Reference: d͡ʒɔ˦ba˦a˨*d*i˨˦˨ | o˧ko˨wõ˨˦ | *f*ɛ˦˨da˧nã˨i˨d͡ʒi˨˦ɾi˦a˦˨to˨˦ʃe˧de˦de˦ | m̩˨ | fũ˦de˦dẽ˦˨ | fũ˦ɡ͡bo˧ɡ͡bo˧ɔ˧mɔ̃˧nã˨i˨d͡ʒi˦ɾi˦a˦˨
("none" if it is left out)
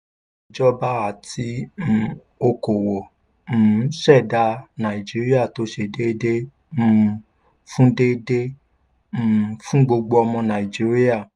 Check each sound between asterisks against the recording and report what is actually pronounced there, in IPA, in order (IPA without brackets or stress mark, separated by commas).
t, ʃ